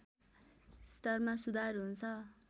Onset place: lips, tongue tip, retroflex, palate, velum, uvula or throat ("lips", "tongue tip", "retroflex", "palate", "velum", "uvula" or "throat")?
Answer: tongue tip